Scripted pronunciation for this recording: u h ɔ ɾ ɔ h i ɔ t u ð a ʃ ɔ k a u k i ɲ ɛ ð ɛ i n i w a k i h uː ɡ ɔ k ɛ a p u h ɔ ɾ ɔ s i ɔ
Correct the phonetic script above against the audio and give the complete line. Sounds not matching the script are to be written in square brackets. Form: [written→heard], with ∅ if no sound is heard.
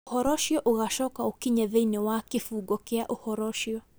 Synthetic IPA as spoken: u h ɔ ɾ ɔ [h→ʃ] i ɔ [t→ʔ] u [ð→ɣ] a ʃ ɔ k a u k i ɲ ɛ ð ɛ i n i w a k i [h→f] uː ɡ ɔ k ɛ a [p→ʔ] u h ɔ ɾ ɔ [s→ʃ] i ɔ